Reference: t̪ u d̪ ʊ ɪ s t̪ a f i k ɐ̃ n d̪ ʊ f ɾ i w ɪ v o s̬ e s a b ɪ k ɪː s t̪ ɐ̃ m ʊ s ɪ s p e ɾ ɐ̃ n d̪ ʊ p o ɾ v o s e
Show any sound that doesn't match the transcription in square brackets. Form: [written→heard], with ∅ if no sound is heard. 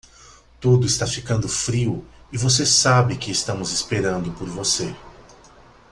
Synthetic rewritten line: t̪ u d̪ ʊ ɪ s t̪ a f i k ɐ̃ n d̪ ʊ f ɾ i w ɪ v o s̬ e s a b ɪ k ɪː s t̪ ɐ̃ m ʊ [s→z] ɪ s p e ɾ ɐ̃ n d̪ ʊ p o ɾ v o s e